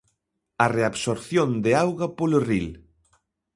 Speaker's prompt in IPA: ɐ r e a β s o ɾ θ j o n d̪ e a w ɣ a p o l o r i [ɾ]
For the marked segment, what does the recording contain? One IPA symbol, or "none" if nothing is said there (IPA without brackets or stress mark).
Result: l